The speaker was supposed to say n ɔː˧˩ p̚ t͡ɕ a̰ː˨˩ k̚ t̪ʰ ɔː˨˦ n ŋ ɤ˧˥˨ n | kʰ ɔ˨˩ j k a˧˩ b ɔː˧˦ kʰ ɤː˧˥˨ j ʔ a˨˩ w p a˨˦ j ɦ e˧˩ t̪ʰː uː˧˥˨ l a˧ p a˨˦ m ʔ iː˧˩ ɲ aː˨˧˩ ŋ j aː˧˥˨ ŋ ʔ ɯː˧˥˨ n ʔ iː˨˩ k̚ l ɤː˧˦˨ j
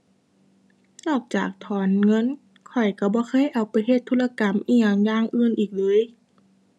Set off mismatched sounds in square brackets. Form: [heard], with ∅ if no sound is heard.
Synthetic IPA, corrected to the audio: n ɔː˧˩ [k̚] t͡ɕ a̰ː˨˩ k̚ t̪ʰ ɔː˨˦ n ŋ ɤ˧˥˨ n | kʰ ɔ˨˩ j k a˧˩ b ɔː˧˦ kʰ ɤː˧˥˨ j ʔ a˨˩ w p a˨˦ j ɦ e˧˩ t̪ʰː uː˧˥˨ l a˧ [k] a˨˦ m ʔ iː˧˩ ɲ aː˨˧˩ ŋ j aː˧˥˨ ŋ ʔ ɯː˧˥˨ n ʔ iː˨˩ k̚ l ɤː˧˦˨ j